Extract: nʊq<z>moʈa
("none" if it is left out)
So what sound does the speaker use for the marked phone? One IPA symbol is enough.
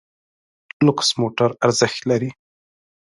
s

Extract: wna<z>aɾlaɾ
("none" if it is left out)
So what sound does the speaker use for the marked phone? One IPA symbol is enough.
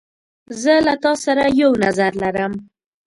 z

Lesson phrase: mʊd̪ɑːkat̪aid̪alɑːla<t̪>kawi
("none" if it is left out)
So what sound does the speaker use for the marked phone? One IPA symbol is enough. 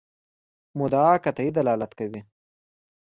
t̪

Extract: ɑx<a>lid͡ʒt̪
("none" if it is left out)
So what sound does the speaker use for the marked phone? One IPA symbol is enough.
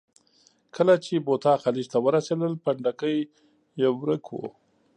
a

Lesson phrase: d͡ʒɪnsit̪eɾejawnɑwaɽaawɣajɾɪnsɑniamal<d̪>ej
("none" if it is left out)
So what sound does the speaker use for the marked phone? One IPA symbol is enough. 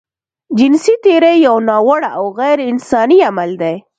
d̪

